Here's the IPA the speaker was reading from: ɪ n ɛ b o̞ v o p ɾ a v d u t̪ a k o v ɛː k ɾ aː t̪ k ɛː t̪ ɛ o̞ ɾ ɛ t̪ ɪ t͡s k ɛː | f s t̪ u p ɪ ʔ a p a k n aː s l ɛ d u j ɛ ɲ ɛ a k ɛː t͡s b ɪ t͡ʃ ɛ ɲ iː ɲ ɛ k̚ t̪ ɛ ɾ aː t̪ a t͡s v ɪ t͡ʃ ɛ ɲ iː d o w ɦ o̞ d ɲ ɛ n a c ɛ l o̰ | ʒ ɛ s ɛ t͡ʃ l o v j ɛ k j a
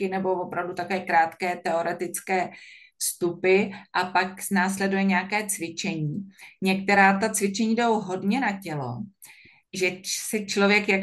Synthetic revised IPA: ɪ n ɛ b o̞ v o p ɾ a v d u t̪ a k o v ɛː k ɾ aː t̪ k ɛː t̪ ɛ o̞ ɾ ɛ t̪ ɪ t͡s k ɛː | f s t̪ u p ɪ ʔ a p a k n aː s l ɛ d u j ɛ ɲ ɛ a k ɛː t͡s v ɪ t͡ʃ ɛ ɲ iː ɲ ɛ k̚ t̪ ɛ ɾ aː t̪ a t͡s v ɪ t͡ʃ ɛ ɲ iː d o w ɦ o̞ d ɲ ɛ n a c ɛ l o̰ | ʒ ɛ s ɛ t͡ʃ l o v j ɛ k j a